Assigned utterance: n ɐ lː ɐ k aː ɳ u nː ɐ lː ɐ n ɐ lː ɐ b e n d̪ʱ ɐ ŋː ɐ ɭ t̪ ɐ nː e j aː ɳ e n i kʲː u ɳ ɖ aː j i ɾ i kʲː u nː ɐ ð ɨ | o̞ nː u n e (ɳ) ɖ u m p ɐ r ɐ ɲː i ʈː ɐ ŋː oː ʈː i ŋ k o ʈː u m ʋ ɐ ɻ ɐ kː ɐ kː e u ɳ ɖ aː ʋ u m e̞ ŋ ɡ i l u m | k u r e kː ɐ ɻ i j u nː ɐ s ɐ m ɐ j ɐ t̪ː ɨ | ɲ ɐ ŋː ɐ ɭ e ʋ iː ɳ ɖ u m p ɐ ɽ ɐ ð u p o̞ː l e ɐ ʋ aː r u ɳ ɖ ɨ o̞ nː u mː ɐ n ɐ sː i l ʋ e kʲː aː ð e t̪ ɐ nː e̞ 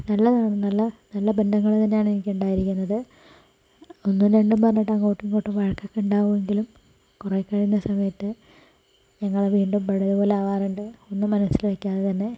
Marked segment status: correct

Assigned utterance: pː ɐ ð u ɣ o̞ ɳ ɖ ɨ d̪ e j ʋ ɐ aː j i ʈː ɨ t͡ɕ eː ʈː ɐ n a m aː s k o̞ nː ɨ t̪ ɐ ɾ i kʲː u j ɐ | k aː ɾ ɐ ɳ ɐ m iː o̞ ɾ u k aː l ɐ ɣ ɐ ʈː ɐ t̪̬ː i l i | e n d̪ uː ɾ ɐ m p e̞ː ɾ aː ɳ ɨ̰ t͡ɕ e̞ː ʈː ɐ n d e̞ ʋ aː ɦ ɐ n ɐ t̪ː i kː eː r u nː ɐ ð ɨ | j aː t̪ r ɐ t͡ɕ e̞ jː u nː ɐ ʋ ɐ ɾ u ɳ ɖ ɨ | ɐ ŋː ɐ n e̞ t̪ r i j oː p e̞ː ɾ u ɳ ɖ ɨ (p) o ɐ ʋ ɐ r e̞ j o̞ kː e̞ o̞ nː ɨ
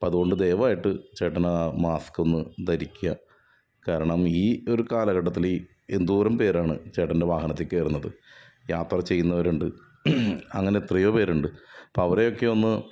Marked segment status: correct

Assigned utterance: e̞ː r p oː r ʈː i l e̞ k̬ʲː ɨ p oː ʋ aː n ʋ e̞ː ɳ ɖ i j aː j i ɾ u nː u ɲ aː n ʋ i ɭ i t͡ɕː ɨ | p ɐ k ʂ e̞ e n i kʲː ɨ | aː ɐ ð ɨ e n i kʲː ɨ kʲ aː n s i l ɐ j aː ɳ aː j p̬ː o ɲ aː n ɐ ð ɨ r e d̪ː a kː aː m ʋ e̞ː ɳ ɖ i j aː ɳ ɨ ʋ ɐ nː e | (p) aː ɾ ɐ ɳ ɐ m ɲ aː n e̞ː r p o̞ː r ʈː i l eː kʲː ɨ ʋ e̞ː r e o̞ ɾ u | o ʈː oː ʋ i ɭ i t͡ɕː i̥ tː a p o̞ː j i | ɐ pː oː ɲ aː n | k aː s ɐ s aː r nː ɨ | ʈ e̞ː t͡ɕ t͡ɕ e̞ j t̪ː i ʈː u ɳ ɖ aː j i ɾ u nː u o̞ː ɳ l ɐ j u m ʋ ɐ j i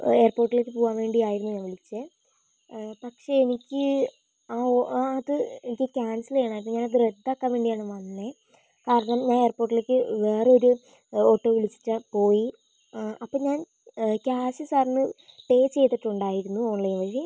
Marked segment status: incorrect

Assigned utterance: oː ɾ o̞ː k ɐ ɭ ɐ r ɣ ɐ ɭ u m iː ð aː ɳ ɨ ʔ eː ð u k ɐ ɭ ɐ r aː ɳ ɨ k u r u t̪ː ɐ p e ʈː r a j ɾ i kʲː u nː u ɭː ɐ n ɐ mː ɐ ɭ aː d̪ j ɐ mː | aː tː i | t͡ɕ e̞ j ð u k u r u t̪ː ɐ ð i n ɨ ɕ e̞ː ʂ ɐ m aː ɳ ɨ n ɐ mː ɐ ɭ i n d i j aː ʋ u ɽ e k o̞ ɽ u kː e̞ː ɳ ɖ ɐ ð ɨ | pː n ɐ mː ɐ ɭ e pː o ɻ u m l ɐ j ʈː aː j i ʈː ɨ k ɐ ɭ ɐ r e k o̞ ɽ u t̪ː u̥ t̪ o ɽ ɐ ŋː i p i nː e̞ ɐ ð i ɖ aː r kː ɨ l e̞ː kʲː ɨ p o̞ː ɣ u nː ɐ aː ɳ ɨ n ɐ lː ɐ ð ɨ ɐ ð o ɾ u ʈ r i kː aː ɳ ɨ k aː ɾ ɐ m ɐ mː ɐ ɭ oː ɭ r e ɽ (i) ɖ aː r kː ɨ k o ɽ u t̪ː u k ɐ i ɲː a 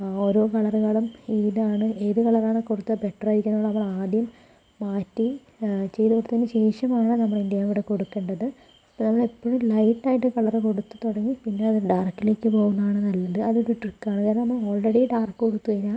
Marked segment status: correct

